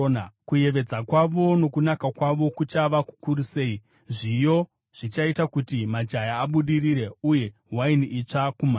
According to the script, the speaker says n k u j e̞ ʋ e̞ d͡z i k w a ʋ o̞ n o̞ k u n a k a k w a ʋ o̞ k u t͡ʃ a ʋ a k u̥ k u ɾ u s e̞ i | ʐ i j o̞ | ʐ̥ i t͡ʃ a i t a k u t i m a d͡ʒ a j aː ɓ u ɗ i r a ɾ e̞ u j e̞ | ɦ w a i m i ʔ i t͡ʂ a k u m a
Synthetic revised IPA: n k u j e̞ ʋ e̞ d͡z a k w a ʋ o̞ n o̞ k u n a k a k w a ʋ o̞ k u t͡ʃ a ʋ a k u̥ k u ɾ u s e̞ i | ʐ i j o̞ | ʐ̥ i t͡ʃ a i t a k u t i m a d͡ʒ a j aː ɓ u ɗ i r i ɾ e̞ u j e̞ | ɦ w a i n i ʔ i t͡ʂ a k u m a